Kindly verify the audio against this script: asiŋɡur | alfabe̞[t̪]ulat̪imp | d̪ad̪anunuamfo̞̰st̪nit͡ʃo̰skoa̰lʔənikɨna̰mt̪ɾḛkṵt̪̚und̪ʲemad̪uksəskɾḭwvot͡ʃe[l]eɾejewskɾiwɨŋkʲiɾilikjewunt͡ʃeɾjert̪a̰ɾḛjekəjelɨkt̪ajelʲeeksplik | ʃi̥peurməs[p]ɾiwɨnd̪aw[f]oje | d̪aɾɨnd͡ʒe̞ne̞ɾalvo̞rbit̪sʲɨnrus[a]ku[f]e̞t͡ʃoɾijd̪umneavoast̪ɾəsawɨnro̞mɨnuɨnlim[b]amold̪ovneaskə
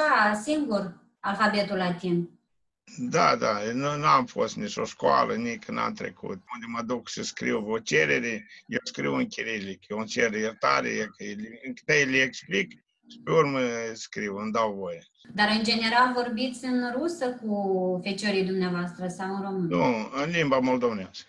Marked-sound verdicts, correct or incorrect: correct, incorrect, incorrect, incorrect, incorrect, correct, correct

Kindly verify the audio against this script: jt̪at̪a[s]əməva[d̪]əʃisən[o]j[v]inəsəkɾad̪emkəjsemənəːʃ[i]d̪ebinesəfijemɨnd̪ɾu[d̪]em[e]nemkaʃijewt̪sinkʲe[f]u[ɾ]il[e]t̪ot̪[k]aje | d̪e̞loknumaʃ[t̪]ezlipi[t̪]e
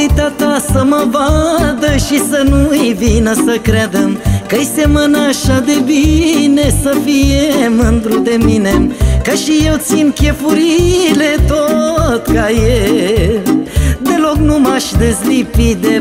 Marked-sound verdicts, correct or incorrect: correct, correct, incorrect, correct, incorrect, correct, incorrect, correct, correct, correct, correct, incorrect, incorrect

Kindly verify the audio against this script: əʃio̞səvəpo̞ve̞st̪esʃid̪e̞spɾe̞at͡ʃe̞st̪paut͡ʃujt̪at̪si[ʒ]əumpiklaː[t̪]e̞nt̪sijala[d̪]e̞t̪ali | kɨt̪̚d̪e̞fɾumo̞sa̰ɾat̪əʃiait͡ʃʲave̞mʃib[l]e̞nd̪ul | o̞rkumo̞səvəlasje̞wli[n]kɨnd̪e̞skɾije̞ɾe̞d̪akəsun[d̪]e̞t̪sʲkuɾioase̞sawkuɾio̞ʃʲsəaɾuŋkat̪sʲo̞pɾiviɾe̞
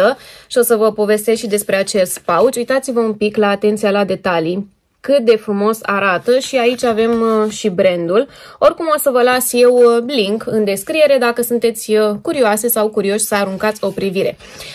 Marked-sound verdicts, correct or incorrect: incorrect, correct, correct, incorrect, incorrect, incorrect

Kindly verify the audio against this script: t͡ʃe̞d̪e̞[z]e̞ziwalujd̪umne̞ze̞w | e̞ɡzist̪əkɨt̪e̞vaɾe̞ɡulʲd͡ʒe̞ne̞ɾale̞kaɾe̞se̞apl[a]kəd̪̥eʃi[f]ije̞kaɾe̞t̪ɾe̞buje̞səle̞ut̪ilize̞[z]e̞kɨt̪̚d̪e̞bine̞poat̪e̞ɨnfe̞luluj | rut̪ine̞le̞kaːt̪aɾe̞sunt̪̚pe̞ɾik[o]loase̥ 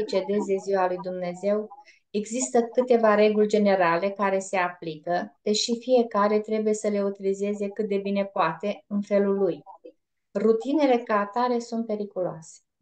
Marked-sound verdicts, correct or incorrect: correct, incorrect, correct, correct, incorrect

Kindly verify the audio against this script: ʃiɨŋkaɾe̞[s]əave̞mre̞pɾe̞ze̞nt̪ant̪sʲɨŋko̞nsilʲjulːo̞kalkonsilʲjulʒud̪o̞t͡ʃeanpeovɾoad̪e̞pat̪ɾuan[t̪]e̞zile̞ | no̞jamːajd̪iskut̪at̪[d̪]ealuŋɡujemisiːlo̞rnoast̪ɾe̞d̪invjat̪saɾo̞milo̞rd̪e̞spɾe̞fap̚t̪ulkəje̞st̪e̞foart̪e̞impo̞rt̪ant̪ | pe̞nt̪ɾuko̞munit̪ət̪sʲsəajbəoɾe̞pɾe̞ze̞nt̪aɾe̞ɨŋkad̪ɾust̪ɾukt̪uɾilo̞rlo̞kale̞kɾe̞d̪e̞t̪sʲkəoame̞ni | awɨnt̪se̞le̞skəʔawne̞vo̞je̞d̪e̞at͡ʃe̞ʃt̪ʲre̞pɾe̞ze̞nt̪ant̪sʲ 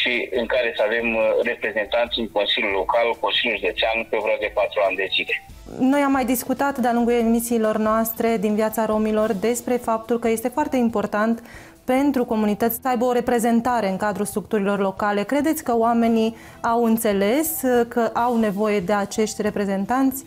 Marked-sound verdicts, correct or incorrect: correct, incorrect, correct

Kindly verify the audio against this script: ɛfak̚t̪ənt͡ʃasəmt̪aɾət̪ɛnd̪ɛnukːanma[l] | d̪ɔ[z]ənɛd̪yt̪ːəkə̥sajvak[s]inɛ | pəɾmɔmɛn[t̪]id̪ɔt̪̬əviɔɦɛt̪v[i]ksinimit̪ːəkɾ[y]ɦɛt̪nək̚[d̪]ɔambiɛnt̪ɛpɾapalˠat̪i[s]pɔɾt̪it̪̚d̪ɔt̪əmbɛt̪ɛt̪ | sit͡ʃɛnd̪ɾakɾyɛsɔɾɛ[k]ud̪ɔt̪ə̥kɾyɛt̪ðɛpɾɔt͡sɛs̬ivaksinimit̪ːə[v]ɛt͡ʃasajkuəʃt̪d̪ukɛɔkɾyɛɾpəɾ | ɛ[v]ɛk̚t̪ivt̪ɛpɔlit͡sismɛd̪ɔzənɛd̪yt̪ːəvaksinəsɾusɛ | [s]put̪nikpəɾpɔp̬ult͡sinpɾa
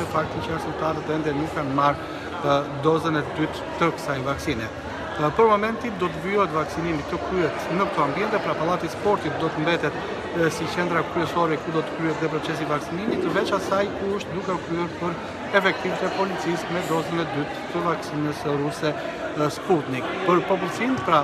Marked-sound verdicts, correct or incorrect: incorrect, correct, correct, correct, incorrect, correct, incorrect, correct, correct, correct, incorrect, correct

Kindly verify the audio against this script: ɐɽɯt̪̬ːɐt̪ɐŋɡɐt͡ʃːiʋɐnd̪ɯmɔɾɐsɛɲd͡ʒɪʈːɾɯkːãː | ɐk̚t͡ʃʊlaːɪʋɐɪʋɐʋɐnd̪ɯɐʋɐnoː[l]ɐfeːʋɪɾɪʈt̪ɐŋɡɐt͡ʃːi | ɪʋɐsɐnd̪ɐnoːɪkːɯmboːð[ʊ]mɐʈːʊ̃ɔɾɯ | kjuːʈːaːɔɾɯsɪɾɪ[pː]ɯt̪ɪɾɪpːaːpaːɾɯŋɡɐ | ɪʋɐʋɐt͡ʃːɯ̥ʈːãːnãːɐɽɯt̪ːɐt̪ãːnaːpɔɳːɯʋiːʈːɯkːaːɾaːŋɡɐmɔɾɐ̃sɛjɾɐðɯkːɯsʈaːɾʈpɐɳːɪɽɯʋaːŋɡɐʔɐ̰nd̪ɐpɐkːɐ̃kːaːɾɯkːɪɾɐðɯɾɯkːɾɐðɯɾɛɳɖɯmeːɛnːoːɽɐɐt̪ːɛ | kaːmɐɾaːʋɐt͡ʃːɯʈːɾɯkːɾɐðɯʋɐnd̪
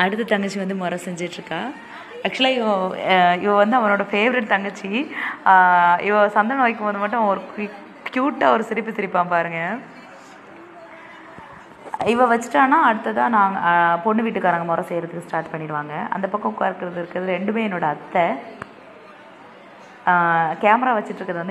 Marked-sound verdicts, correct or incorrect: incorrect, incorrect, correct

